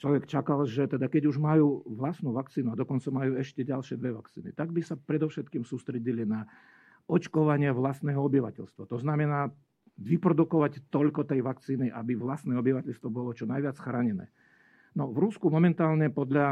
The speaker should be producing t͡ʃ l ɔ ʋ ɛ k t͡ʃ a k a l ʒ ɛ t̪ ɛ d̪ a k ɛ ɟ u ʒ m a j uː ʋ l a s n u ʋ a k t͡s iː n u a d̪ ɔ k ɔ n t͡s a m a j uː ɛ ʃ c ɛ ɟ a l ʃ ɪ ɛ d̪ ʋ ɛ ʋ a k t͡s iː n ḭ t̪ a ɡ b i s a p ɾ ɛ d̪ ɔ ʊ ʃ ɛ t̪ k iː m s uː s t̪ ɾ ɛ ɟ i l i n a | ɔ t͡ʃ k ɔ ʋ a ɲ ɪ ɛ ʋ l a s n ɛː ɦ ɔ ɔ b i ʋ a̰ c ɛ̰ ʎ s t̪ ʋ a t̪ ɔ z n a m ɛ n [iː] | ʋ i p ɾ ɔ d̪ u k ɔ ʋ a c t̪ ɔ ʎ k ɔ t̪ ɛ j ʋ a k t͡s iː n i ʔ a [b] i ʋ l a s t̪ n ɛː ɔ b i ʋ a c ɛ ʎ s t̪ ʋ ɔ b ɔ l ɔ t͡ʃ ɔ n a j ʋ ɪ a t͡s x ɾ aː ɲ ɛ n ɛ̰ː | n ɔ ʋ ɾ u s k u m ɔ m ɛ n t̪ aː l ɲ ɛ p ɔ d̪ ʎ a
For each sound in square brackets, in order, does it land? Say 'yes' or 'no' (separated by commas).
no, yes